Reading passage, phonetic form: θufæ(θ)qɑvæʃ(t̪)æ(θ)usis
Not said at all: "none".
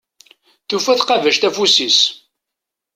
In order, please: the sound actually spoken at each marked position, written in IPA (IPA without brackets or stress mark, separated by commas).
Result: θ, t̪, f